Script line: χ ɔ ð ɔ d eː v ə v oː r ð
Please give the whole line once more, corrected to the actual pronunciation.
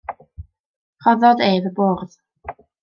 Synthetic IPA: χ ɔ ð ɔ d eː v ə b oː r ð